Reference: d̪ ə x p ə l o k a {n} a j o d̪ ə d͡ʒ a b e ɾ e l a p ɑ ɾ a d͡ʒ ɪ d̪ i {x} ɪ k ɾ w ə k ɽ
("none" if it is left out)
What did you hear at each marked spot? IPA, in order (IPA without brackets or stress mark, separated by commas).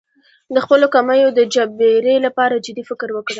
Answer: m, f